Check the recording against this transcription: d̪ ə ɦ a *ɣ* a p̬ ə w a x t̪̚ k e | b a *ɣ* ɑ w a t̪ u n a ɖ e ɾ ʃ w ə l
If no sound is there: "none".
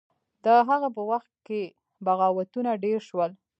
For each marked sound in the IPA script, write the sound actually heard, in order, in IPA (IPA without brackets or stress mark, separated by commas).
ɣ, ɣ